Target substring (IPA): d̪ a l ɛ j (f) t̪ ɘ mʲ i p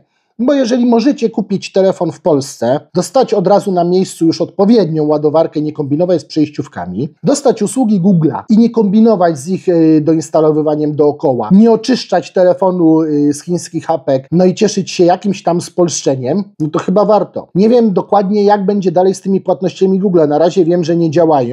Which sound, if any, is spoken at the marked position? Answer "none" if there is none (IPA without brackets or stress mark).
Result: s